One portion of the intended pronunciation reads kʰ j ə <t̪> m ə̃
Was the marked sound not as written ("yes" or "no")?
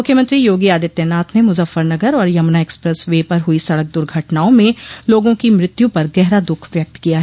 yes